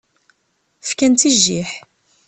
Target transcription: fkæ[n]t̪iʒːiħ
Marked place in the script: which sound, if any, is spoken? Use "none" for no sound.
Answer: n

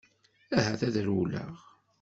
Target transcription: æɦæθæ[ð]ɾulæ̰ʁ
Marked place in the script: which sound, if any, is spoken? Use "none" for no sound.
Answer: ð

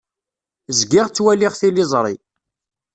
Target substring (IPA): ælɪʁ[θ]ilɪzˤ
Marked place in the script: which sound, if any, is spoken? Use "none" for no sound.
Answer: θ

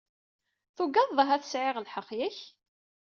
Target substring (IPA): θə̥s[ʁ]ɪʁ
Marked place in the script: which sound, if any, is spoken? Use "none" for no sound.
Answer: ʕ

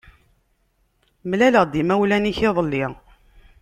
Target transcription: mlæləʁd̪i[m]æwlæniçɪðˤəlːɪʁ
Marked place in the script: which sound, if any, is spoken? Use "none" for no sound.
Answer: m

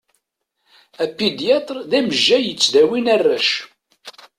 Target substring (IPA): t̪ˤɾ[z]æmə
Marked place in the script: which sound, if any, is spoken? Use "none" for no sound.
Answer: ð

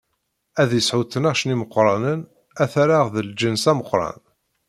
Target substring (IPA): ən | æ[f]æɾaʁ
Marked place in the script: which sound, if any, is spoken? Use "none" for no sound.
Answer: θ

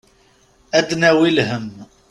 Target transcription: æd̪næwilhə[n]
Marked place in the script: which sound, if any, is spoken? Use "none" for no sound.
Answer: m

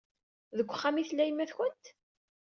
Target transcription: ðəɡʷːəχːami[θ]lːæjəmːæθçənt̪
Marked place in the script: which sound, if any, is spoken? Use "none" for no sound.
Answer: θ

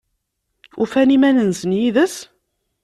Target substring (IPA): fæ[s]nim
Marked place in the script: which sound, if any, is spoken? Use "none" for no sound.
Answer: none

